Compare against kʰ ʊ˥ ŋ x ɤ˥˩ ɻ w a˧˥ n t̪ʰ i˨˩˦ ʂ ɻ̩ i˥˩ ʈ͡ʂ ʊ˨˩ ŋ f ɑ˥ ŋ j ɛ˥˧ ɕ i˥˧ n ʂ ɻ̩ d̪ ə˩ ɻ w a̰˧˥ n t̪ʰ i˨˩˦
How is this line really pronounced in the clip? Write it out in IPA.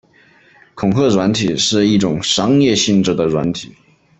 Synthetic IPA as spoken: kʰ ʊ˨˩ ŋ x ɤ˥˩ ɻ w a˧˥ n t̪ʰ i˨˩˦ ʂ ɻ̩ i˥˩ ʈ͡ʂ ʊ˨˩ ŋ ʂ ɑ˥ ŋ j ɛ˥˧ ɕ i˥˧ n ʈ͡ʂ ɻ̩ d̪ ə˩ ɻ w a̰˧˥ n t̪ʰ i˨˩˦